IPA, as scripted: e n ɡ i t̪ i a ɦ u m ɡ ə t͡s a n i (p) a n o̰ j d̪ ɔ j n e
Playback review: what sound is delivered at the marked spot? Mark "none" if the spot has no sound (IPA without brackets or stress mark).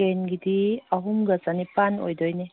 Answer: p